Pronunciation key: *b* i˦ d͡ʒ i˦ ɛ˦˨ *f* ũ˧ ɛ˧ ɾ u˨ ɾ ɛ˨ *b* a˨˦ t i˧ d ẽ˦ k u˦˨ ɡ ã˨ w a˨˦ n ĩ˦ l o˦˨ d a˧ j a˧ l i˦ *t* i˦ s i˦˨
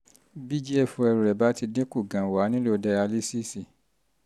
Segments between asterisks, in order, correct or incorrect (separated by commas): correct, correct, correct, incorrect